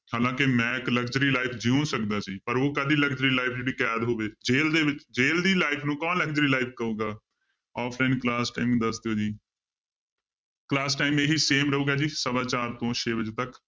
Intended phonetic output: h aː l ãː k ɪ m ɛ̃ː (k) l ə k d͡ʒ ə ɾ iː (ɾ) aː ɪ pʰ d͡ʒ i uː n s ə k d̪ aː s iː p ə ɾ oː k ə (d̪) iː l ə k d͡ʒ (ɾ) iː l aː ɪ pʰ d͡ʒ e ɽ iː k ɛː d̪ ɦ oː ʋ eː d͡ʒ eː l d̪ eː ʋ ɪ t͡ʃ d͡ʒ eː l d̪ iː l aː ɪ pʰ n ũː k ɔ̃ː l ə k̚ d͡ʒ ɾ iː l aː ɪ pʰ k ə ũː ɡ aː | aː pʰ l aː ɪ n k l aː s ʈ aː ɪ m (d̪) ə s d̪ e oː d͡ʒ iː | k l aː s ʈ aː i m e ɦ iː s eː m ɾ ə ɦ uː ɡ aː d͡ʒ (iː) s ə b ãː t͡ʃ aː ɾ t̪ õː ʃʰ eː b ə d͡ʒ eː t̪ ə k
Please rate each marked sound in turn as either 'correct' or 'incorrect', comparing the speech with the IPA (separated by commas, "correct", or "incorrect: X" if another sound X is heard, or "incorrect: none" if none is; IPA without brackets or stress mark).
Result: correct, incorrect: l, correct, correct, correct, correct